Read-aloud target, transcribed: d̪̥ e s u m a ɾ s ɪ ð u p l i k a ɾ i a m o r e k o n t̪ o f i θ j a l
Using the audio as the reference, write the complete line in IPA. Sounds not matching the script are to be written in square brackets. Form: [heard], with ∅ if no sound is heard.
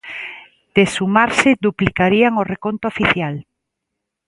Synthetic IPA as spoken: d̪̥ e s u m a ɾ s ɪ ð u p l i k a ɾ i a [ŋ] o r e k o n t̪ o f i θ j a l